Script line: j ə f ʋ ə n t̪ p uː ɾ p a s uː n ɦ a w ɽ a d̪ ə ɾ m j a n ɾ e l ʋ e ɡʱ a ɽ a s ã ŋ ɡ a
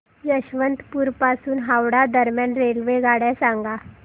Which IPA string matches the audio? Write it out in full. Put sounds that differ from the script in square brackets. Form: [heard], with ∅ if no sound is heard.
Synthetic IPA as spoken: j ə [ɕ] ʋ ə n t̪ p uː ɾ p a s uː n ɦ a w ɽ a d̪ ə ɾ m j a n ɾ e l ʋ e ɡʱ a ɽ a s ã ŋ ɡ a

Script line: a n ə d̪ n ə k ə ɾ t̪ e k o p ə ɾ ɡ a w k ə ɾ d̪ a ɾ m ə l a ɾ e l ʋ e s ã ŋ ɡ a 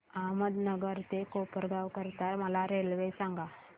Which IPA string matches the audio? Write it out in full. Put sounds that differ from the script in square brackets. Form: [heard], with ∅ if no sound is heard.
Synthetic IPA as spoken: a [m] ə d̪ n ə [ɡ] ə ɾ t̪ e k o p ə ɾ ɡ a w k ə ɾ [t̪] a ɾ m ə l a ɾ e l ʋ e s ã ŋ ɡ a

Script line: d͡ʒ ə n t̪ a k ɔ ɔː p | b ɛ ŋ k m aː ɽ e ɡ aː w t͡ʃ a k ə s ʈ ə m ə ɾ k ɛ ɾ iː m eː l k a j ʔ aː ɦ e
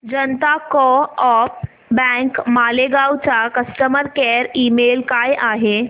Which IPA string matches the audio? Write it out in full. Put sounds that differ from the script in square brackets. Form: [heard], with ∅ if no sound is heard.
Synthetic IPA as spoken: d͡ʒ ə n t̪ a k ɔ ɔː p | b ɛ ŋ k m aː [l] e ɡ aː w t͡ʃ a k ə s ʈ ə m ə ɾ k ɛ ɾ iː m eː l k a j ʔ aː ɦ e

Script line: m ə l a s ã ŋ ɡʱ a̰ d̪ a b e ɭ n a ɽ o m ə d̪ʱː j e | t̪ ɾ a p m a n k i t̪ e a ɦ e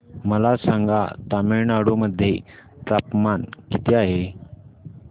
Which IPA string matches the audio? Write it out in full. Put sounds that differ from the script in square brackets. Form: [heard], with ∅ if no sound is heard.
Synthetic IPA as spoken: m ə l a s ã ŋ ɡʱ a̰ [t̪] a [m] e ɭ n a ɽ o m ə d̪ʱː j e | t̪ ɾ a p m a n k i t̪ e a ɦ e

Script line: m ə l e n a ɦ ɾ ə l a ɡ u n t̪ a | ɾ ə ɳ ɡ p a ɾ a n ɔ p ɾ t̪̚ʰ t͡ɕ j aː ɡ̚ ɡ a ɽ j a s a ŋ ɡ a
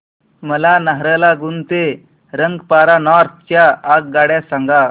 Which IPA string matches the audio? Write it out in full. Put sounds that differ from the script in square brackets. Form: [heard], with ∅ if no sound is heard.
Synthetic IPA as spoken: m ə l [a] n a ɦ ɾ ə l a ɡ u n t̪ [e] | ɾ ə [ŋ] ɡ p a ɾ a n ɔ [∅] ɾ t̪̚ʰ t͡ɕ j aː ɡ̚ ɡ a ɽ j a s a ŋ ɡ a

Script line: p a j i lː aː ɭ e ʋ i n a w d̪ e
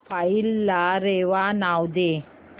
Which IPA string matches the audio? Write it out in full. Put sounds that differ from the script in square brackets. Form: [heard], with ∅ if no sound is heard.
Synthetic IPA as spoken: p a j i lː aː [ɾ] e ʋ [a] n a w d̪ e

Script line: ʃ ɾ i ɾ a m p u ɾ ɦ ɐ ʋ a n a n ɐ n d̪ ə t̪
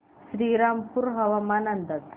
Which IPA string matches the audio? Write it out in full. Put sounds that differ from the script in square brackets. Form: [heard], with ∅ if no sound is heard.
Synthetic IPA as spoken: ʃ ɾ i ɾ a m p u ɾ ɦ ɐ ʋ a [m] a n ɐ n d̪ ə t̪

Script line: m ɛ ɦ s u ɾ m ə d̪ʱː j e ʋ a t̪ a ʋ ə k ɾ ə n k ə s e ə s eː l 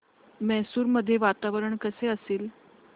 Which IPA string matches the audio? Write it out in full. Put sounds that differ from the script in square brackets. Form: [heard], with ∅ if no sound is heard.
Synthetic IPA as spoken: m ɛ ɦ s [uː] ɾ m ə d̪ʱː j e ʋ a t̪ a ʋ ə [∅] ɾ ə [ɳ] k ə s e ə s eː l

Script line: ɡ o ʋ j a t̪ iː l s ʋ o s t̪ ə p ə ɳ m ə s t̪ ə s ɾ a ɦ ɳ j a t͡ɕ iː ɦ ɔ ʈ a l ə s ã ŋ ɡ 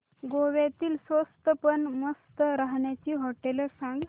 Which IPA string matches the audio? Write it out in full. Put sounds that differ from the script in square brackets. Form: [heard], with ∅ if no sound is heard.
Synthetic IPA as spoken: ɡ o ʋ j a t̪ iː l s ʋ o s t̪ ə p ə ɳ m ə s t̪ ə [∅] ɾ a ɦ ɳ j a t͡ɕ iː ɦ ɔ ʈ [e] l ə s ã ŋ ɡ

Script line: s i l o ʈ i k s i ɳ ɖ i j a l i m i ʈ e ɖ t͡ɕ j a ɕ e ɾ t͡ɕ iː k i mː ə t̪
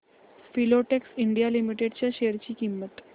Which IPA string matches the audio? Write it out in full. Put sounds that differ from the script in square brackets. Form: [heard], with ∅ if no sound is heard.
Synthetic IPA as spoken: [f] i l o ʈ [e] k s i ɳ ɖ i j a l i m i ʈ e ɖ t͡ɕ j a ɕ e ɾ t͡ɕ iː k i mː ə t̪

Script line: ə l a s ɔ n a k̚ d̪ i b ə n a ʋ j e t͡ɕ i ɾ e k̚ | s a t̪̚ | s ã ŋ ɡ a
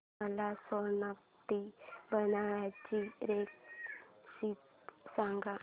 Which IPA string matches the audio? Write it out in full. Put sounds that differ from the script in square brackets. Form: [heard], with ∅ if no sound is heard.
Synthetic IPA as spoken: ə l a s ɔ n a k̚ [t̪] i b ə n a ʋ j [a] t͡ɕ i ɾ e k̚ | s [i] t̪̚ | s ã ŋ ɡ a

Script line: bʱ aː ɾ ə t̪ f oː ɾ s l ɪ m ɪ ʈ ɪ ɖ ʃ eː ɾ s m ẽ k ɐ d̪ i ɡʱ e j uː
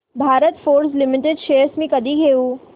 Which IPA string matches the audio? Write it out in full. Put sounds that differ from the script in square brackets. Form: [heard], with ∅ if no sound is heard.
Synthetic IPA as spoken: bʱ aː ɾ ə t̪ f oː ɾ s l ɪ m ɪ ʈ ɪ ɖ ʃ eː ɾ s m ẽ k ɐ d̪ i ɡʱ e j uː

